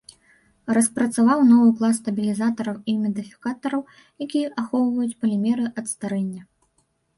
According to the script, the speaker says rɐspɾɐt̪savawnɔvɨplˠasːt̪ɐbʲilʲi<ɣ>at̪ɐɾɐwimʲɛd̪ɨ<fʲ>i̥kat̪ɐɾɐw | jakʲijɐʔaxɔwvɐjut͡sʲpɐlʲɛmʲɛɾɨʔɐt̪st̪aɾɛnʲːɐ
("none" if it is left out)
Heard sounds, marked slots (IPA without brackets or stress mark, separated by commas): z, fʲ